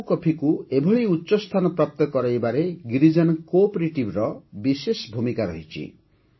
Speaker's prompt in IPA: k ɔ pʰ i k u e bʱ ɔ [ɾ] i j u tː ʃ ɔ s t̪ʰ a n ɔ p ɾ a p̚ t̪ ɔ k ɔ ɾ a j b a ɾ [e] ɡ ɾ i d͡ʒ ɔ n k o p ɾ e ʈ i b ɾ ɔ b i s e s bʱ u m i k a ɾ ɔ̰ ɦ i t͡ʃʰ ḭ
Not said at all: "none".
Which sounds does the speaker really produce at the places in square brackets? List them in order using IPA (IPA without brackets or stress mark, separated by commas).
ɭ, e